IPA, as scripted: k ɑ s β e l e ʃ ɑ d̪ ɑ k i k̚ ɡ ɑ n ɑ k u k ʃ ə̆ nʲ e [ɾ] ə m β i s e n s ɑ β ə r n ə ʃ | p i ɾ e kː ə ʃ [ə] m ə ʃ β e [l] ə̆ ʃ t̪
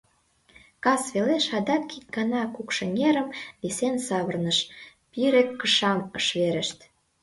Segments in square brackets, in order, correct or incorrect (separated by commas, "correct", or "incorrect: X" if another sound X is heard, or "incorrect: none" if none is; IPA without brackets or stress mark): correct, incorrect: ɑ, incorrect: ɾ